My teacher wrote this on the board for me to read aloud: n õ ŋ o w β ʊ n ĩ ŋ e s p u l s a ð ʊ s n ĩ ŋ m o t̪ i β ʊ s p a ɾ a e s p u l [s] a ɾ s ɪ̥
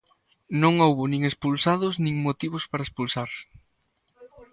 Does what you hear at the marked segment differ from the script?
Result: no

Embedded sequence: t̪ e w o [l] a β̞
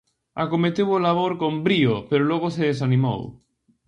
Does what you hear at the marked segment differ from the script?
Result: no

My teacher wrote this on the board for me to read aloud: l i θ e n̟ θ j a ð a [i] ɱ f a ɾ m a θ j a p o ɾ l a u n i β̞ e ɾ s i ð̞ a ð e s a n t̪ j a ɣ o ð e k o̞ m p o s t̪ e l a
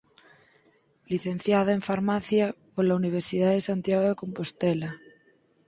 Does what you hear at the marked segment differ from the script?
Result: yes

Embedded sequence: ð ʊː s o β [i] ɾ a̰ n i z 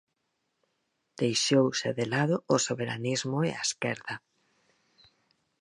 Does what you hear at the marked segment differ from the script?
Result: yes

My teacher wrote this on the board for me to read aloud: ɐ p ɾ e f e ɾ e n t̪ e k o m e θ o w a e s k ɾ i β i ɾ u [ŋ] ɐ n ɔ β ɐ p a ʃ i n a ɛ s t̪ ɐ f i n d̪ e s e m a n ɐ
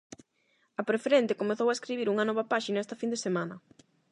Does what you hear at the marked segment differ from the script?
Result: no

